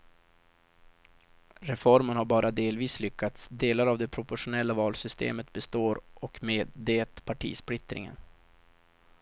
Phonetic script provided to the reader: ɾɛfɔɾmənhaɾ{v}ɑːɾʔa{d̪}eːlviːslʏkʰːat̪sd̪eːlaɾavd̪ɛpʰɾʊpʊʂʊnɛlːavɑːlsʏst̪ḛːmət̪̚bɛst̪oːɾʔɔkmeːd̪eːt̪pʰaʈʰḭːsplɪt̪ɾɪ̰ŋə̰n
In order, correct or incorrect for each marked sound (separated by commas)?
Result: incorrect, correct